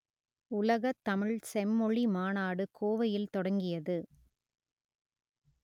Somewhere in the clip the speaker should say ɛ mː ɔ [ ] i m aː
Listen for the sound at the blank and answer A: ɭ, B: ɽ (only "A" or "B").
A